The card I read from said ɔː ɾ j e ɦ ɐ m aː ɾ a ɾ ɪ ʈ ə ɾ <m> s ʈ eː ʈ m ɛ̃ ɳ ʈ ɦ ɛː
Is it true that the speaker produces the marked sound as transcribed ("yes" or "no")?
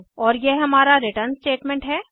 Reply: no